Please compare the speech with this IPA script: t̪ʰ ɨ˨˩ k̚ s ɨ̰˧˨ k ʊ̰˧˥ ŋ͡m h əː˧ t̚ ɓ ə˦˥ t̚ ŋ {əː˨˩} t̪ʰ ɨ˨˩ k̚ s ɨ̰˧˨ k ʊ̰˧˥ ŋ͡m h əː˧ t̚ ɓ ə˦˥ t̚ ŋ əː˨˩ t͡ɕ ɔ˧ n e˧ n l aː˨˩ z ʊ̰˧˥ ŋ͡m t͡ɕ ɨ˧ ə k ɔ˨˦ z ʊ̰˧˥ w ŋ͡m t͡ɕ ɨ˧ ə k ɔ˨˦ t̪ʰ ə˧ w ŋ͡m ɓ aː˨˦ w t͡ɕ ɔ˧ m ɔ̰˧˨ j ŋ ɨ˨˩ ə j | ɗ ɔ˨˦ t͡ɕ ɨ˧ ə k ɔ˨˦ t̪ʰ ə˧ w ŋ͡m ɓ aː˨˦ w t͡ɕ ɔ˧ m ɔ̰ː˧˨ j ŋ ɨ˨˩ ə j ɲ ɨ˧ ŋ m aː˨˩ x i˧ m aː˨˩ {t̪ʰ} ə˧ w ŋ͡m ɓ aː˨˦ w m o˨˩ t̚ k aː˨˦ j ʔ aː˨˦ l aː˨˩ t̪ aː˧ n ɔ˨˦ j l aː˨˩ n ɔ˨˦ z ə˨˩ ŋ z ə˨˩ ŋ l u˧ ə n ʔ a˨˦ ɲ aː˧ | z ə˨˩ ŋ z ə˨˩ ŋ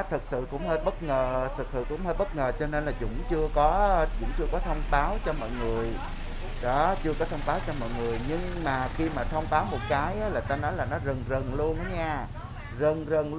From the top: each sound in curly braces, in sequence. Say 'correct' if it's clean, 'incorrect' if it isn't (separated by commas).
correct, correct